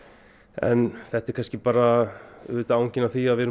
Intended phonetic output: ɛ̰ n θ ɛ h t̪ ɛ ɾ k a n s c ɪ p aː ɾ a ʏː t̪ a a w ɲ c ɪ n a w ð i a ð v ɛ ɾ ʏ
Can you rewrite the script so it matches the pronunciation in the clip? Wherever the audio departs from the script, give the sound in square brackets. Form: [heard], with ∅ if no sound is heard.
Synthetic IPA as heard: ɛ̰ n θ ɛ h t̪ ɛ ɾ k a n s c ɪ p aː ɾ a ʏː t̪ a a w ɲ c ɪ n a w [θ] i a ð v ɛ ɾ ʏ